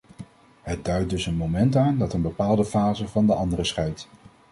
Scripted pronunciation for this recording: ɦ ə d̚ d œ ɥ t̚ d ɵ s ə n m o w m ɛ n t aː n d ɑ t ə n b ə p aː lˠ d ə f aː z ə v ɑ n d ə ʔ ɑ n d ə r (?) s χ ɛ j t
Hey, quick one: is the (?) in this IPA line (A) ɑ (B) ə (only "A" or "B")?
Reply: B